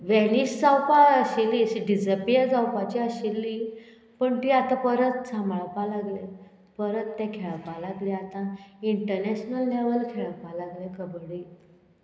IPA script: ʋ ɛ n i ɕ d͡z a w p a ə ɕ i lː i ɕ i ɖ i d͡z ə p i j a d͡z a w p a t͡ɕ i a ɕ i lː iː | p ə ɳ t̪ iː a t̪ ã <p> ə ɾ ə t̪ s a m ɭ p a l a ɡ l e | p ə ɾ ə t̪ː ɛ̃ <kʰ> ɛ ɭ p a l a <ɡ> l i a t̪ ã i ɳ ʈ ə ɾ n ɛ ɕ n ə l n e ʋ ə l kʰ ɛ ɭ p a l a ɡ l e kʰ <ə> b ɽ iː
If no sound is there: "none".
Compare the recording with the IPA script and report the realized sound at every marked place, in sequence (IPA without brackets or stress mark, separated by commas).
p, kʰ, ɡ, ə